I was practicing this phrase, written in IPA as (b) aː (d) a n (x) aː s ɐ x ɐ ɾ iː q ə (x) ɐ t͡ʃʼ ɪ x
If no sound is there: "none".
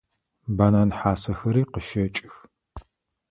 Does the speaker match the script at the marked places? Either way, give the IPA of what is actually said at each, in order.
b, n, ħ, ʃ

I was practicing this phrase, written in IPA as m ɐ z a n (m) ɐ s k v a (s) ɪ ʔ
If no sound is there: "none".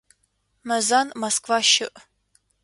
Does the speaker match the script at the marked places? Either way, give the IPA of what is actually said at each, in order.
m, ʃ

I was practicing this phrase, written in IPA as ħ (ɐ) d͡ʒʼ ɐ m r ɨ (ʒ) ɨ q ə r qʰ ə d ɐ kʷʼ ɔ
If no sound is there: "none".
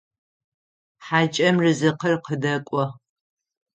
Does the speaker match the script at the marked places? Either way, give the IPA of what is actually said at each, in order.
a, z

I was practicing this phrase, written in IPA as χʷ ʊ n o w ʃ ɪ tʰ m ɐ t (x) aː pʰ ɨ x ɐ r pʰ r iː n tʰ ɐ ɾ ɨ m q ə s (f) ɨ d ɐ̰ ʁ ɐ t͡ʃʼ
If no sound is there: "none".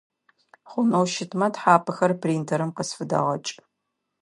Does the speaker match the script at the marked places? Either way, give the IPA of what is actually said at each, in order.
ħ, f

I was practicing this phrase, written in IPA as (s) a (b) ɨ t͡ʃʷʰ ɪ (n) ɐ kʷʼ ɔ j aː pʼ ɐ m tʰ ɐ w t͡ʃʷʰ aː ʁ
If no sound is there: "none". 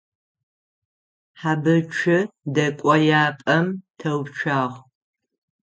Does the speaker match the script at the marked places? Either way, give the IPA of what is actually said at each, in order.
ħ, b, d

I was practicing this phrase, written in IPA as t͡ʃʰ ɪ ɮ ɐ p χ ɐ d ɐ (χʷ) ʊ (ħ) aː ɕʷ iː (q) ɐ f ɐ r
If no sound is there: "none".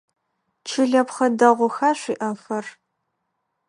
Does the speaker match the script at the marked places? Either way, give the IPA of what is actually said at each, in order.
ʁʷ, x, ʔ

